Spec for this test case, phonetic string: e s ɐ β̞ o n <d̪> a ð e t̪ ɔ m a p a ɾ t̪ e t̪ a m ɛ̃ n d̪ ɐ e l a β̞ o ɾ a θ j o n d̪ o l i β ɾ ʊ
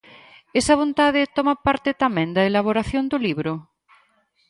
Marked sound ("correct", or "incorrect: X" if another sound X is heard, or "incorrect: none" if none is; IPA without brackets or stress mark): incorrect: t̪